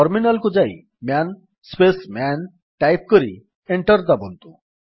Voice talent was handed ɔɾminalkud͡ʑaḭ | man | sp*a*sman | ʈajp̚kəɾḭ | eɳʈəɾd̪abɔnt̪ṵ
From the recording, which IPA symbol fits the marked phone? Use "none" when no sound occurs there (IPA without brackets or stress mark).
e